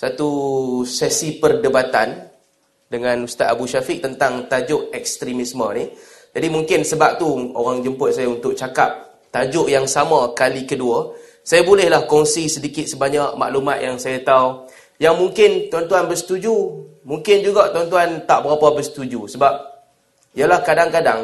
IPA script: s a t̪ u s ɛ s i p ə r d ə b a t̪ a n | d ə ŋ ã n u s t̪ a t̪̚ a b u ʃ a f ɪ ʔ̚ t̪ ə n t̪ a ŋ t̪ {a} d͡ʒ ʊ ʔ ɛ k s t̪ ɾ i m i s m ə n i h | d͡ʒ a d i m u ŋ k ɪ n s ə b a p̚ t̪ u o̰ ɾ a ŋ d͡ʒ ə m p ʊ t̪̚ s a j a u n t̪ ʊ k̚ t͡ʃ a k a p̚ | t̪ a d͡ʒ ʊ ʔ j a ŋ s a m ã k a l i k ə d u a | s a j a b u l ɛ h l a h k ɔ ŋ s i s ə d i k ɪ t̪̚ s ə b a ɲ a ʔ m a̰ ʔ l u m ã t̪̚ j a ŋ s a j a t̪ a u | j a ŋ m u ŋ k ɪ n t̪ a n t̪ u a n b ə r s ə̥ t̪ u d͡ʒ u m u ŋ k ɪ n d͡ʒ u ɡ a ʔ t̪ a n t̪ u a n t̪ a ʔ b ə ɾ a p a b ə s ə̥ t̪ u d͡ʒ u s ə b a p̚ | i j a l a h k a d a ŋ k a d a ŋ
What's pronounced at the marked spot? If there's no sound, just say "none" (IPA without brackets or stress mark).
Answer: a